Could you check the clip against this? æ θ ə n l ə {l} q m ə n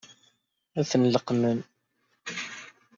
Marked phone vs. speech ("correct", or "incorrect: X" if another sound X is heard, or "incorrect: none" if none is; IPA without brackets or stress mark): incorrect: none